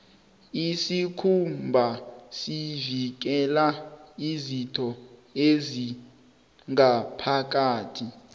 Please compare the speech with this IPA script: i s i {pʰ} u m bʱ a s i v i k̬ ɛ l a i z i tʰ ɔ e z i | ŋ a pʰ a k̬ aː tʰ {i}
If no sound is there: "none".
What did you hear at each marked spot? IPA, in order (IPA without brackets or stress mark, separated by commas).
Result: kʰ, i